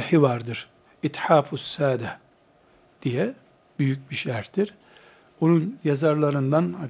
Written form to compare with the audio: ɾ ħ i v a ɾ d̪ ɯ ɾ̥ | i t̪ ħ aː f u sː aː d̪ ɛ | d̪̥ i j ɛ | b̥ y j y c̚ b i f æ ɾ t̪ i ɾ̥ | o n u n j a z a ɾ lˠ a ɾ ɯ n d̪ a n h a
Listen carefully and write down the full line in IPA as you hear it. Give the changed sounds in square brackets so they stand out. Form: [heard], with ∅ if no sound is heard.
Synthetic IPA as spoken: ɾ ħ i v a ɾ d̪ ɯ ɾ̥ | i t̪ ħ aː f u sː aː d̪ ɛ | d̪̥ i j ɛ | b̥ y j y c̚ b i [ʃ] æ ɾ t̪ i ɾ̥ | o n u n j a z a ɾ lˠ a ɾ ɯ n d̪ a n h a